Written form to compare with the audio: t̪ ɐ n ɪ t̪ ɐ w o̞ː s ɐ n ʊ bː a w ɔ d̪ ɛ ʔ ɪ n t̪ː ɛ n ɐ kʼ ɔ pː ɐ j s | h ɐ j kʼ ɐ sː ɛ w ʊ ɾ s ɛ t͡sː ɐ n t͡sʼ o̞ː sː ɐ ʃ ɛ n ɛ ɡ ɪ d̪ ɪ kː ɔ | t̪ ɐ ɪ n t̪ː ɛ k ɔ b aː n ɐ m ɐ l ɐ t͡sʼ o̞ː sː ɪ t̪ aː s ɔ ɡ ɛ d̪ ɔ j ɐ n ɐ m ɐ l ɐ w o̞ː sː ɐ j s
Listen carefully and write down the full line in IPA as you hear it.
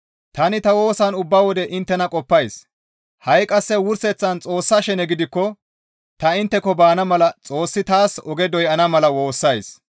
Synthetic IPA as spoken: t̪ ɐ n ɪ t̪ ɐ w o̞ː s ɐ n ʊ bː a w ɔ d̪ ɛ ʔ ɪ n t̪ː ɛ n ɐ kʼ ɔ pː ɐ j s | h ɐ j kʼ ɐ sː ɛ w ʊ ɾ s ɛ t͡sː ɐ n t͡sʼ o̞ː sː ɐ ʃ ɛ n ɛ ɡ ɪ d̪ ɪ kː ɔ | t̪ ɐ ɪ n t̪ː ɛ k ɔ b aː n ɐ m ɐ l ɐ t͡sʼ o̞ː sː ɪ t̪ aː s ɔ ɡ ɛ d̪ ɔ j ɐ n ɐ m ɐ l ɐ w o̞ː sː ɐ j s